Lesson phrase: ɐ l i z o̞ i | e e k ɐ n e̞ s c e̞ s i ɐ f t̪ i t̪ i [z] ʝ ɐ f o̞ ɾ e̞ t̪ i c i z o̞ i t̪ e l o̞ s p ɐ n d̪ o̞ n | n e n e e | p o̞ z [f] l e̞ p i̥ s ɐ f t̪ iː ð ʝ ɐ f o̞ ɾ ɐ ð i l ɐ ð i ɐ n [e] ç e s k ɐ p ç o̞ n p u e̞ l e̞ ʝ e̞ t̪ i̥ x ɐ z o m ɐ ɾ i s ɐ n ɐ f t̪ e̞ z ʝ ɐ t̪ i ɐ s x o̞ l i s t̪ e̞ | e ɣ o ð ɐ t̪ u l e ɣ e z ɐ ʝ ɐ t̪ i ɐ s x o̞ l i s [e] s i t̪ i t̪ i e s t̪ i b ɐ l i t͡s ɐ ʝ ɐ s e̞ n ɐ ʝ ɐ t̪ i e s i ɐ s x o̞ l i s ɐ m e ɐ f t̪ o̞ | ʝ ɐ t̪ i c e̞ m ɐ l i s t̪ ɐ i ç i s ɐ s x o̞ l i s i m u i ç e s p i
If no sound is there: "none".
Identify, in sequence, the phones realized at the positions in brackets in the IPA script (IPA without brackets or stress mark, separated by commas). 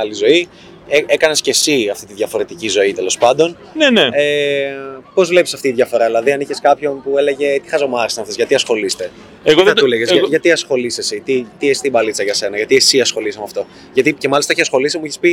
ð, v, i, e